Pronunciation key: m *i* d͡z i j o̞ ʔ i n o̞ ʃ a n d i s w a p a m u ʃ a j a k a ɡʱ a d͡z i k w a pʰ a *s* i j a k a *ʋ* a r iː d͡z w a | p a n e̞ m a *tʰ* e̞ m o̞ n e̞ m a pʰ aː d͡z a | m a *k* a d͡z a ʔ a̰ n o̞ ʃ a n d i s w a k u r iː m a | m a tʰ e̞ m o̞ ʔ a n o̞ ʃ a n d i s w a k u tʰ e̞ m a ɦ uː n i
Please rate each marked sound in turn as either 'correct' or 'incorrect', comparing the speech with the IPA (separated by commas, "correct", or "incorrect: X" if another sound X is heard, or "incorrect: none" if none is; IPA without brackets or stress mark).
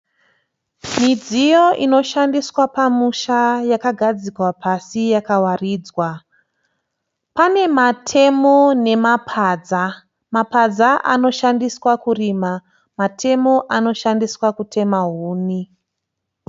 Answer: correct, correct, incorrect: w, correct, incorrect: p